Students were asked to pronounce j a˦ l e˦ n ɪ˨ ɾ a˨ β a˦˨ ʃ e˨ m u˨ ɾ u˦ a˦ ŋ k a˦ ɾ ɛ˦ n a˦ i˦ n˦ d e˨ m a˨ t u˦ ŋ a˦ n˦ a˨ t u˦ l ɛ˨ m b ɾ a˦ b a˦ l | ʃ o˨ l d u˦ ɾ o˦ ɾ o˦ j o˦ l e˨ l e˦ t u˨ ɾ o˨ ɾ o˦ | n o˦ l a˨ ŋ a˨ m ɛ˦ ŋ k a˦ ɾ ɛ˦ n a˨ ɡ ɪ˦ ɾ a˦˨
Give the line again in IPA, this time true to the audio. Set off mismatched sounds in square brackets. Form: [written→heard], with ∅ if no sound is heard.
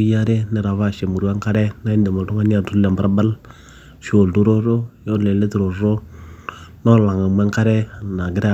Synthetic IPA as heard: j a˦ [l→ɾ] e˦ n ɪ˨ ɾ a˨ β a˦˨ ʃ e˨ m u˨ ɾ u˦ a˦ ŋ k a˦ ɾ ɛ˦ n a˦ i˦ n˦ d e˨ m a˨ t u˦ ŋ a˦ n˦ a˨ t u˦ l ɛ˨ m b ɾ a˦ b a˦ l | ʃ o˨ l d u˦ ɾ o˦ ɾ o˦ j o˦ l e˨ l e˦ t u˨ ɾ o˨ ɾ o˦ | n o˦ l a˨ ŋ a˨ m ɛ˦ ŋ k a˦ ɾ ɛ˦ n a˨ ɡ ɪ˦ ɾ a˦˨

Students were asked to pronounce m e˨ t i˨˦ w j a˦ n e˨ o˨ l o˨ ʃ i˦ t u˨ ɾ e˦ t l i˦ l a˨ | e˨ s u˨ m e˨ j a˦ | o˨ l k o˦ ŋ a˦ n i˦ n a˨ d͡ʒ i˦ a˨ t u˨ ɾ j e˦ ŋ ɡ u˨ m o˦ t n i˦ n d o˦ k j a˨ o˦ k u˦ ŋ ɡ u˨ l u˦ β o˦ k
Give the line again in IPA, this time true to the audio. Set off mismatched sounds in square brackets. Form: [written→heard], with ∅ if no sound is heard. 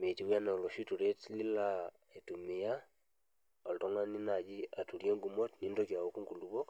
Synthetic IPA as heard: m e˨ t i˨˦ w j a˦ n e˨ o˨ l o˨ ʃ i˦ t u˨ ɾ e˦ t l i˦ l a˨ | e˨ [s→t] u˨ m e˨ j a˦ | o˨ l [k→t] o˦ ŋ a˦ n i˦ n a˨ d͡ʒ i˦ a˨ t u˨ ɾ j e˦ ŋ ɡ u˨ m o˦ t n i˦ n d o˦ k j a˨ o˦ k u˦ ŋ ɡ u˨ l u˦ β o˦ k

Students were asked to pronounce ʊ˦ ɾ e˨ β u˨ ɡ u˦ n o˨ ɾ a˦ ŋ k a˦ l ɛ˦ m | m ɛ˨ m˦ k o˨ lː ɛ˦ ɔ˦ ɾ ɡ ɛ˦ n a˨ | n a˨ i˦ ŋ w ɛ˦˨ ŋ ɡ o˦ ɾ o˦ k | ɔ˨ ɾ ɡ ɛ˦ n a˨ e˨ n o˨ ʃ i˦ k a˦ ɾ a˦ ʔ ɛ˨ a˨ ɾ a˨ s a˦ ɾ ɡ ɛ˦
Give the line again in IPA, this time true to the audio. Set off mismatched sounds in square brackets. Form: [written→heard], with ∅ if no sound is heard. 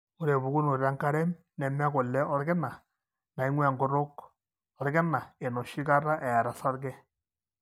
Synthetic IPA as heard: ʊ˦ ɾ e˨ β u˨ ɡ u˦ n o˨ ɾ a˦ ŋ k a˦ [l→ɾ] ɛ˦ m | [m→n] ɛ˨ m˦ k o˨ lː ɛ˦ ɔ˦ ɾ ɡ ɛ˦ n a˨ | n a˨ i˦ ŋ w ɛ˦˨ ŋ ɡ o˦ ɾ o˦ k | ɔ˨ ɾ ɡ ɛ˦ n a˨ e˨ n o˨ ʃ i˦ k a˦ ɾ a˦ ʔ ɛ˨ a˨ ɾ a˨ s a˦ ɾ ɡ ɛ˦

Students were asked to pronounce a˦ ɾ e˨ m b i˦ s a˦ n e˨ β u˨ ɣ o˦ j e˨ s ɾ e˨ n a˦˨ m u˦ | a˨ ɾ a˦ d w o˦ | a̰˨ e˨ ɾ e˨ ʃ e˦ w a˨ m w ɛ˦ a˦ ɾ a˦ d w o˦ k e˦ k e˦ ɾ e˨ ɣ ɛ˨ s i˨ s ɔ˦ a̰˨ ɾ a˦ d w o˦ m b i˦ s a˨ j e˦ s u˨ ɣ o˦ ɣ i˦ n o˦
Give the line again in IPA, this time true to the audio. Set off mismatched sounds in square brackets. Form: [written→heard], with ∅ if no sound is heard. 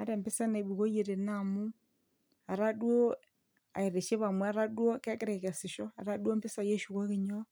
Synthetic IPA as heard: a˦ ɾ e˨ m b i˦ s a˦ n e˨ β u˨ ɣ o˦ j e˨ [s→∅] ɾ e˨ n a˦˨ m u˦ | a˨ ɾ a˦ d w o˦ | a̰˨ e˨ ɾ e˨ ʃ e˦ [w→β] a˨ m w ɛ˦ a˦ ɾ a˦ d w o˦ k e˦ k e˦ ɾ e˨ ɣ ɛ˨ s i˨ [s→ʃ] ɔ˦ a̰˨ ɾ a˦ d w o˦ m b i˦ s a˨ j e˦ [s→ʃ] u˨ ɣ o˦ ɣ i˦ [n→ɲ] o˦

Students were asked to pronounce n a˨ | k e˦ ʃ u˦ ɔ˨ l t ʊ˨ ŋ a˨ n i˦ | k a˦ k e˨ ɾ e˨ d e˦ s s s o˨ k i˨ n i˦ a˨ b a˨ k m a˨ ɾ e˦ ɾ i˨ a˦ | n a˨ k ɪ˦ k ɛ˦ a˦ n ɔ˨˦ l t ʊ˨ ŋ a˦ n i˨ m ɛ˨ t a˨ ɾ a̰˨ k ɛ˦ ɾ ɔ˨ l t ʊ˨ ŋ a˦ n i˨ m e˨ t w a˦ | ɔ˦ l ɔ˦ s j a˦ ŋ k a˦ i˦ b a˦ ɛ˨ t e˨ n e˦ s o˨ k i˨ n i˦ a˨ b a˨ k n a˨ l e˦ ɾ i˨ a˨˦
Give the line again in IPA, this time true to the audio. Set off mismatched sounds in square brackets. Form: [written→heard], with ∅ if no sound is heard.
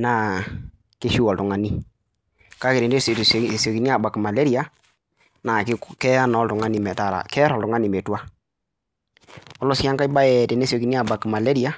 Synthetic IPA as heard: n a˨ | k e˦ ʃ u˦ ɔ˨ l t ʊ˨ ŋ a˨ n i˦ | k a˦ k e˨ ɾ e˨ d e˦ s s s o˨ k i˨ n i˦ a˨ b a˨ k m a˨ [ɾ→l] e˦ ɾ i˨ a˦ | n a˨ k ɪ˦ k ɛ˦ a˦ n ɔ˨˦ l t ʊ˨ ŋ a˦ n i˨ m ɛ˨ t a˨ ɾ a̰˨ k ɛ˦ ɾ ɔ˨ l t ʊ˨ ŋ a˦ n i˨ m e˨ t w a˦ | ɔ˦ l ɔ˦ s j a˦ ŋ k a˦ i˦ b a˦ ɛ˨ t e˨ n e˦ s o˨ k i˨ n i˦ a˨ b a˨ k [n→m] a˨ l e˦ ɾ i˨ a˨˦

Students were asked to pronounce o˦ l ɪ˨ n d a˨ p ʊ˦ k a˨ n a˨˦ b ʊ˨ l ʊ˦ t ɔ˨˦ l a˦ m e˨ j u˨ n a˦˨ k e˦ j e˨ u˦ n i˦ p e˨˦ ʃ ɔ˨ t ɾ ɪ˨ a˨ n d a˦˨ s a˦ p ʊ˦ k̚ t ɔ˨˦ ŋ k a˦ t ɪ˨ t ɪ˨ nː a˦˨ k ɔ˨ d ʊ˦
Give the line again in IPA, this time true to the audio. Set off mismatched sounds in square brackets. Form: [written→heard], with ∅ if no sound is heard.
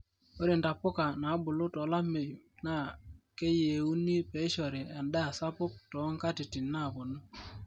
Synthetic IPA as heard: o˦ [l→ɾ] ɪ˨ n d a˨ p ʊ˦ k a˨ n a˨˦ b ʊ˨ l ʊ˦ t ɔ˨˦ l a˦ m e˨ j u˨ n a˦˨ k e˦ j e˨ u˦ n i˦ p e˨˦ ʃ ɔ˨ [t→∅] ɾ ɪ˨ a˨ n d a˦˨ s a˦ p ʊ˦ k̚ t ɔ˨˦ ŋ k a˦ t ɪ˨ t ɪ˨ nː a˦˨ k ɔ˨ [d→n] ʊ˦

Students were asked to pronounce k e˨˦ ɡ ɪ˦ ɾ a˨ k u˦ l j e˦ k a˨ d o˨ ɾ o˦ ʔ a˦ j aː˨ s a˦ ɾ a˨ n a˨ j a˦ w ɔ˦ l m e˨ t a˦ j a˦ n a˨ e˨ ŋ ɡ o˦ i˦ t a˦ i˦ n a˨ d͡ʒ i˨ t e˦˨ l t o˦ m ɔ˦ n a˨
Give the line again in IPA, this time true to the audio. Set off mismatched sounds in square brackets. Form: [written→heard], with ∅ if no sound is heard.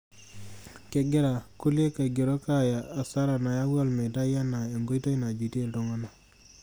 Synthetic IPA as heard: k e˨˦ ɡ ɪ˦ ɾ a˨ k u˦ l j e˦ k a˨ [d→ɡ] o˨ ɾ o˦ [ʔ→k] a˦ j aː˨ s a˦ ɾ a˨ n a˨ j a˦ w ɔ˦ l m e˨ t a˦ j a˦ n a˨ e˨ ŋ ɡ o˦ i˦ t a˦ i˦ n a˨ d͡ʒ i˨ t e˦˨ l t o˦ [m→ŋ] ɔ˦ n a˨

